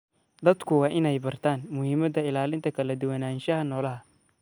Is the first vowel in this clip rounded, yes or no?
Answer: no